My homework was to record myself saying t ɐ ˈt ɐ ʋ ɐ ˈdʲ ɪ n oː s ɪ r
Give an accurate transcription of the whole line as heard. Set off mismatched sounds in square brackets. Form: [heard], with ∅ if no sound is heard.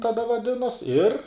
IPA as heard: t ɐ [ˈd] ɐ ʋ ɐ ˈdʲ ɪ n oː s ɪ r